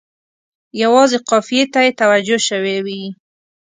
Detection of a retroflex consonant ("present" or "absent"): absent